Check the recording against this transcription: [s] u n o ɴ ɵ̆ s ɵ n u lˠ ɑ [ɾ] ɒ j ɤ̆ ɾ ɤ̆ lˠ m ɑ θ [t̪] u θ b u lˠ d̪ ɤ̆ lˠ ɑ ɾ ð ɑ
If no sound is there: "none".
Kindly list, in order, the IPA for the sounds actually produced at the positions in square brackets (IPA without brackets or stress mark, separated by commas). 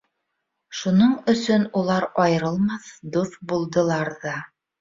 ʃ, ɾ, d̪